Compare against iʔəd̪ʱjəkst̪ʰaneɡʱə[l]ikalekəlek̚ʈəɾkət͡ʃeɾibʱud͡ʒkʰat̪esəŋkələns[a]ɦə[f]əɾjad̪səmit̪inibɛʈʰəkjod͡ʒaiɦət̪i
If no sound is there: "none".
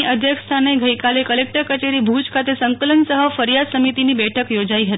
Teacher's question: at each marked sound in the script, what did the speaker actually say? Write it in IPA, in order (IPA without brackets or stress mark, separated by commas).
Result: none, ə, f